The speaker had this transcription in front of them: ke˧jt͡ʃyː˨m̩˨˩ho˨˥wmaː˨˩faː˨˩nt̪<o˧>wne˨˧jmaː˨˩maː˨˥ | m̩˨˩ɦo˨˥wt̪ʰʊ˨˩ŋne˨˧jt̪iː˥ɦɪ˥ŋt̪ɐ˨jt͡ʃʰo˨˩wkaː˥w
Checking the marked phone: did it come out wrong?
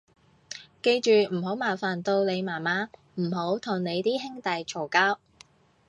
no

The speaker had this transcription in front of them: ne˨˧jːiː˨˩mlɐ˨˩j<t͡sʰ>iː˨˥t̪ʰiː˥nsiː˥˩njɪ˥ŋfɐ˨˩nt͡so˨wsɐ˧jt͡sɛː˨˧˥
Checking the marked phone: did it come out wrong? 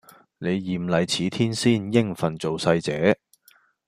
no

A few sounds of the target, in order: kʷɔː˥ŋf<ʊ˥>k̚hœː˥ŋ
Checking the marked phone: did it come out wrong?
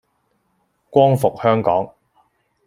yes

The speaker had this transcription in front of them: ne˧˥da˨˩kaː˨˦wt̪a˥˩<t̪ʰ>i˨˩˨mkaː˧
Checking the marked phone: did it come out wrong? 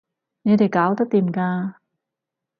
yes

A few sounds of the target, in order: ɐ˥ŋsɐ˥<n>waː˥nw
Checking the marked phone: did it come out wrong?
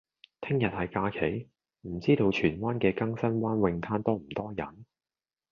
no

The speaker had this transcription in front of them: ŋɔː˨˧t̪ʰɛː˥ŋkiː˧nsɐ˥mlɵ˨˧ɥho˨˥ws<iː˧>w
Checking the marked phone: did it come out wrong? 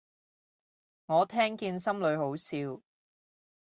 no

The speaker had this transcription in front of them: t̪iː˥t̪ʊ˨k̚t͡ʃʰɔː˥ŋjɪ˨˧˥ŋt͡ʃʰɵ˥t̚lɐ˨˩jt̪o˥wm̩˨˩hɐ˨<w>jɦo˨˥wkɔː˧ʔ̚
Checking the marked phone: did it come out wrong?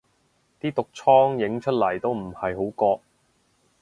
yes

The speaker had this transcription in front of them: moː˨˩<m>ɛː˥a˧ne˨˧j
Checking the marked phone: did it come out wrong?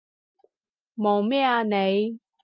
no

